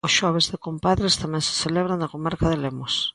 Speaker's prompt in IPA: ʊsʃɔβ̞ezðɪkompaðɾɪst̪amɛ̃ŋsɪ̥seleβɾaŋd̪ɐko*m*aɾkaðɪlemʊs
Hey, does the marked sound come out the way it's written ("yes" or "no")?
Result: yes